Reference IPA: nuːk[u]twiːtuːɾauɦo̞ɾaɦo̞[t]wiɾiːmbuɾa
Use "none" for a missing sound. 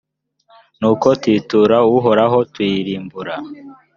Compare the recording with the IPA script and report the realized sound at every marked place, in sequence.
o, t

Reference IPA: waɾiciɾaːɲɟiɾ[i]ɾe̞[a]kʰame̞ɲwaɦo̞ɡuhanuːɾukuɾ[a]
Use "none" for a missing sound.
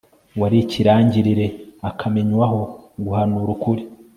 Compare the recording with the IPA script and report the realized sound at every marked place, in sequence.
i, a, i

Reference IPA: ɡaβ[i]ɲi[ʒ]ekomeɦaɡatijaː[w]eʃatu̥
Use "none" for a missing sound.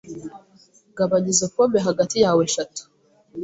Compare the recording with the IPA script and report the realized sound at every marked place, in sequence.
a, z, w

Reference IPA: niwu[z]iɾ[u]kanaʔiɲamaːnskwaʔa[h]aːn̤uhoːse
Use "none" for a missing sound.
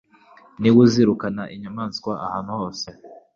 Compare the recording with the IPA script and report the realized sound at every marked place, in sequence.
z, u, h

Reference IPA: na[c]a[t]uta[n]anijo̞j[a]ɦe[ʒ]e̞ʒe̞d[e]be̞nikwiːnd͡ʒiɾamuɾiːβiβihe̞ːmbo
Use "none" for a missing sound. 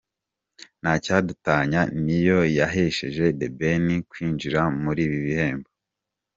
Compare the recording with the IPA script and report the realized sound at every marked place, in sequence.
c, d, ɲ, a, ʃ, e

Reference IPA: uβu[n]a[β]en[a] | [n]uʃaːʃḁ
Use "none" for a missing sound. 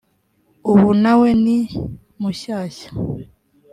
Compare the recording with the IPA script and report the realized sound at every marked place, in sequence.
n, w, i, m

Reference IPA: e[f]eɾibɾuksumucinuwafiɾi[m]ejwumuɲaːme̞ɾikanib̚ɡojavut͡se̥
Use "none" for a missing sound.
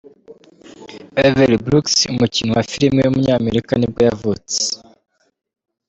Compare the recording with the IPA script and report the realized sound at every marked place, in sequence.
v, m

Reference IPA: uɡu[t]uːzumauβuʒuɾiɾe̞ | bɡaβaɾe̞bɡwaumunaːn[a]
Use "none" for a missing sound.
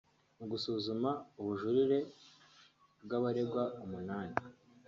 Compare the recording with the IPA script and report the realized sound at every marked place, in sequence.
s, i

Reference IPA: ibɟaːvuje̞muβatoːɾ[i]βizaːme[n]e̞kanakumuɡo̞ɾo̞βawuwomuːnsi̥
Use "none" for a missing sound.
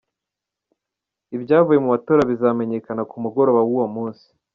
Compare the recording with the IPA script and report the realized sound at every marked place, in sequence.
a, ɲ

